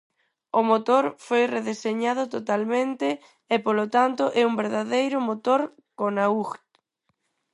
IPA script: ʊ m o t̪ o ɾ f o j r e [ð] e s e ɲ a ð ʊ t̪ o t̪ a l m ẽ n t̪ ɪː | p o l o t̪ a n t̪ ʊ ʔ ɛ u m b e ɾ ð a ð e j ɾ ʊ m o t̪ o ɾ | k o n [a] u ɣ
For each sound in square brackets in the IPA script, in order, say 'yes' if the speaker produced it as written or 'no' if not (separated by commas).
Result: yes, yes